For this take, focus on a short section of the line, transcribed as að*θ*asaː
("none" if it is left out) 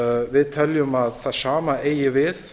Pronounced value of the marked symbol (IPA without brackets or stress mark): θ